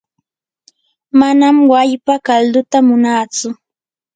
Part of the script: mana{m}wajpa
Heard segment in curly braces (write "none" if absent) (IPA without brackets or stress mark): m